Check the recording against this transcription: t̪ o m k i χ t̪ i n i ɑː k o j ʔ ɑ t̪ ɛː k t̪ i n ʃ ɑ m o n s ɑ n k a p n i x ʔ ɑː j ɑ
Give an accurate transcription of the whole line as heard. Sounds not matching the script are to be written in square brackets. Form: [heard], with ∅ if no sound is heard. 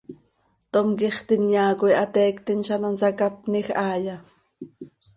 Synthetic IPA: t̪ o m k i χ t̪ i n [j] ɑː k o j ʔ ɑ t̪ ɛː k t̪ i n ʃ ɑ [n] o n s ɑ [∅] k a p n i x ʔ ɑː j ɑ